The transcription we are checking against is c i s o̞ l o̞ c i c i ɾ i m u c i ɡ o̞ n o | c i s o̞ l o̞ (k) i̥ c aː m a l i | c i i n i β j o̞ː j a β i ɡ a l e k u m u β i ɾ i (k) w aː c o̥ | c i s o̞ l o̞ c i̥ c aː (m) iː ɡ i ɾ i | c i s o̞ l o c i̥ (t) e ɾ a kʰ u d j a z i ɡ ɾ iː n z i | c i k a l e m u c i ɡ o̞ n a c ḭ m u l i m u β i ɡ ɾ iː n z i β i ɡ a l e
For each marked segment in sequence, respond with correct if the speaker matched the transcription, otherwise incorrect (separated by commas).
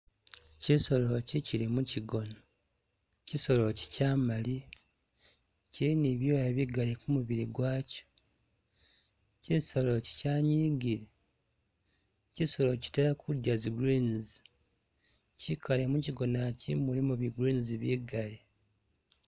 incorrect, incorrect, incorrect, correct